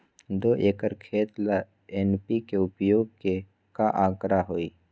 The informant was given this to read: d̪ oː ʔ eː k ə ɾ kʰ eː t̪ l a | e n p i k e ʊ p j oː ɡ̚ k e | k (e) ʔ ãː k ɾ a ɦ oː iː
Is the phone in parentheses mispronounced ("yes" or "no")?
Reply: yes